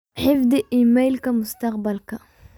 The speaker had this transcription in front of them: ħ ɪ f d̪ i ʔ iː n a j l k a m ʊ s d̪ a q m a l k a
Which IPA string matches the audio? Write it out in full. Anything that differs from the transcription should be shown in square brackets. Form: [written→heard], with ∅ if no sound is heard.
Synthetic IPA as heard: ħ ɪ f d̪ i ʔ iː [n→m] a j l k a m ʊ s [d̪→t̪] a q [m→b] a l k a